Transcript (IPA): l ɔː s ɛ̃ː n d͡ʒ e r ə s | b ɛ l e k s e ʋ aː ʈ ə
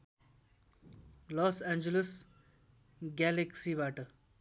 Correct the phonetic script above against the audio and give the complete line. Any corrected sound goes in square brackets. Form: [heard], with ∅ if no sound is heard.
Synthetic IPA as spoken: l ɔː s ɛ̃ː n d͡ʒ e [l] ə s | [ɡ] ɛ l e k s [i] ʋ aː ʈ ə

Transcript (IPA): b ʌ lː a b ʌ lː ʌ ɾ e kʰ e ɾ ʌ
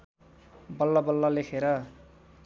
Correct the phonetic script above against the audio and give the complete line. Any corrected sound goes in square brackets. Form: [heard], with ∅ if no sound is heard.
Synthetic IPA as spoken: b ʌ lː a b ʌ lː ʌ [l] e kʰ e ɾ ʌ

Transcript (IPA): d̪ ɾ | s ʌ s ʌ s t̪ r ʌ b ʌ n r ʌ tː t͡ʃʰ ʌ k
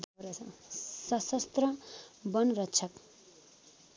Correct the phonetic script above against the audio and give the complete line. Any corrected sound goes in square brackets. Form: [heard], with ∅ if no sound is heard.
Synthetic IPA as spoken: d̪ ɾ | s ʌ s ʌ s t̪ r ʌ b ʌ n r ʌ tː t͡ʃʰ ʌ k

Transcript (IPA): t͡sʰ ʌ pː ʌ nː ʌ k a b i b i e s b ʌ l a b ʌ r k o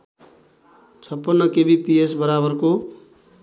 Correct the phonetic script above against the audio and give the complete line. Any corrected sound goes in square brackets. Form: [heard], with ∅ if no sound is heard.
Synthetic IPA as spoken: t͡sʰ ʌ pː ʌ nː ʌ k [e] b i [p] i e s b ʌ [ɾ] a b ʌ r k o

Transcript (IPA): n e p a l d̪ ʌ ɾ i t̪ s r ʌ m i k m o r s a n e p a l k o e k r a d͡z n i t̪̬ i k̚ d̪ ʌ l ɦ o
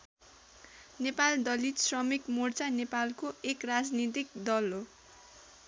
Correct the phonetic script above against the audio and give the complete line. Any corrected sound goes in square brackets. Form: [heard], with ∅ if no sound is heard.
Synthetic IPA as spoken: n e p a l d̪ ʌ [l] i t̪ s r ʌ m i k m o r [t͡s] a n e p a l k o e k r a d͡z n i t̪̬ i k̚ d̪ ʌ l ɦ o

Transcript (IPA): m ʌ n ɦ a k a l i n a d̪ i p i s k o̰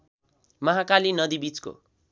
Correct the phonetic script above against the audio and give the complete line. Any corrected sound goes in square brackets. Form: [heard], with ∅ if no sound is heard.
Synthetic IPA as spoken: m ʌ [∅] ɦ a k a l i n [ʌ] d̪ i [b] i [t͡s] k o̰

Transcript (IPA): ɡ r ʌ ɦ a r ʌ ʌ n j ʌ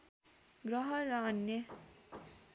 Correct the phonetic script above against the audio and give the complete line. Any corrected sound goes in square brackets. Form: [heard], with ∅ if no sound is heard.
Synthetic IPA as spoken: ɡ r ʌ ɦ [ʌ] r ʌ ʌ n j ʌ

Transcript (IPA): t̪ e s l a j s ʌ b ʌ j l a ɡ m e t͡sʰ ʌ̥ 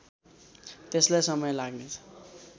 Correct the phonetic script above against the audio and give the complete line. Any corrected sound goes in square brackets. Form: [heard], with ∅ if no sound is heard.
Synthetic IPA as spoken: t̪ e s l a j s ʌ [m] ʌ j l a ɡ [n] e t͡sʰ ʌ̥

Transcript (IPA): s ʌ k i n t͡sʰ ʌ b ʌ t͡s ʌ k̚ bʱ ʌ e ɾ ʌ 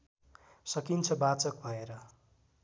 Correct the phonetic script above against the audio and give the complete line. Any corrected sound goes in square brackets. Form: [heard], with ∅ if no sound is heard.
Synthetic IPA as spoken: s ʌ k i n t͡sʰ ʌ b [a] t͡s ʌ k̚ bʱ ʌ e ɾ ʌ

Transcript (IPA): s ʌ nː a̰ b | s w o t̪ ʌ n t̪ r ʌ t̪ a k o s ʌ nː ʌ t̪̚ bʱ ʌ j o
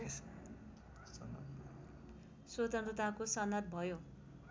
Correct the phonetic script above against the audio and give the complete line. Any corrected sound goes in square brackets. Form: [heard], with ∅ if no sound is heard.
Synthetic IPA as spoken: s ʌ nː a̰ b | s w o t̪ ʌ n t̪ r ʌ t̪ a k o s ʌ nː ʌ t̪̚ bʱ ʌ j o

